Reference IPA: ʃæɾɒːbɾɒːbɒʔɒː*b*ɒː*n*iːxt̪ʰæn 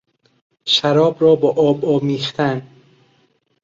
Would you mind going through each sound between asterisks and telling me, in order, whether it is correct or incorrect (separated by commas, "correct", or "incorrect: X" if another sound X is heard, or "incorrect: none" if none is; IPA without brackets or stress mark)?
correct, incorrect: m